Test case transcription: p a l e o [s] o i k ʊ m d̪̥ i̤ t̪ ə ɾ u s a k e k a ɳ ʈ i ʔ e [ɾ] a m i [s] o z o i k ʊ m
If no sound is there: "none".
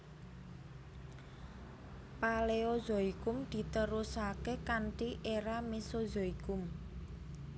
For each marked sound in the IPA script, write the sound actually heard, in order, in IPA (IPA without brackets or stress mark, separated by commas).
z, ɾ, s